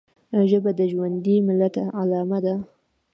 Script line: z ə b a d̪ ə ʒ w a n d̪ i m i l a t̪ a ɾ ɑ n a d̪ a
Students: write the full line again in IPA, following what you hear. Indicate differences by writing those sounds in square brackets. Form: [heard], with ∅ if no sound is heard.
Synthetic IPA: [ʒ] ə b a d̪ ə ʒ w a n d̪ i m [ɪ] l a t̪ a [l] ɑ [m] a d̪ a

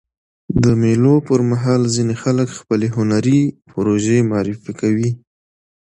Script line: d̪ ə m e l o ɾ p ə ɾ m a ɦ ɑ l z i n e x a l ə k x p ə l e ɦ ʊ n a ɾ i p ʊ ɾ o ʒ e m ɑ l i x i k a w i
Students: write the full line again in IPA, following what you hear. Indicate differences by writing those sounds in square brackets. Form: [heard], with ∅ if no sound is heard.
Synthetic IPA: d̪ ə m e l o [∅] p ə ɾ m a ɦ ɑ l z i n e x a l ə k x p ə l e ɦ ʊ n a ɾ i p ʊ ɾ o ʒ e m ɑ [ɾ] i [f] i k a w i

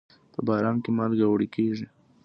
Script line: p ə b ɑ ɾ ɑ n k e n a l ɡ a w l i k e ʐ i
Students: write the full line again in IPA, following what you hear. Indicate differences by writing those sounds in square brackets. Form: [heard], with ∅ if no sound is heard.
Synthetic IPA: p ə b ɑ ɾ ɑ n k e [m] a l ɡ a w [ɽ] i k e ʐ i

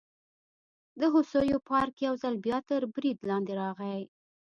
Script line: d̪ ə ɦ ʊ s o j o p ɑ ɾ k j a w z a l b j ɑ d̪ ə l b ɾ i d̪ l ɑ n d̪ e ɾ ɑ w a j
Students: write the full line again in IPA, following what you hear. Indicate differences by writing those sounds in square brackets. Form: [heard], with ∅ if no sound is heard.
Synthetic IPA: d̪ ə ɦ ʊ s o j o p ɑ ɾ k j a w z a l b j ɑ [t̪] ə [ɾ] b ɾ i d̪ l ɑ n d̪ e ɾ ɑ [ɣ] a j

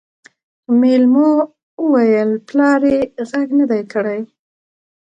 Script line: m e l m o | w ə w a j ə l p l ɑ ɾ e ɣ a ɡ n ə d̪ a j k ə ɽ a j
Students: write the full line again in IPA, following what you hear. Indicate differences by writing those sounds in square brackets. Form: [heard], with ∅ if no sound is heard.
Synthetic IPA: m e l m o | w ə w a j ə l p l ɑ ɾ e ɣ a ɡ n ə d̪ a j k ə ɽ a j

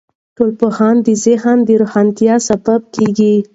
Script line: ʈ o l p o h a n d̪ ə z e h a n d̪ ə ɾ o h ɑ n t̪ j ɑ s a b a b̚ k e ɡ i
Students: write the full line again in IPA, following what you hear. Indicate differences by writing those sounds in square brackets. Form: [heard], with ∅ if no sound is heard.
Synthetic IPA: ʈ o l p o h [ɑ] n d̪ ə z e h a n d̪ ə ɾ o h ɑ n t̪ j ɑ s a b a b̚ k e ɡ i

